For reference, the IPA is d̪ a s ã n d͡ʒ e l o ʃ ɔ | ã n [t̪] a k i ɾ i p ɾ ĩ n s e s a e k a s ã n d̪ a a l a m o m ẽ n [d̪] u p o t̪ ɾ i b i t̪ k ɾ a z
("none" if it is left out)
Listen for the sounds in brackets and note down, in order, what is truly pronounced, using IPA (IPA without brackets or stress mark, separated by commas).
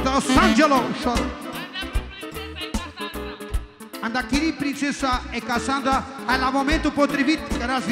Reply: d̪, t̪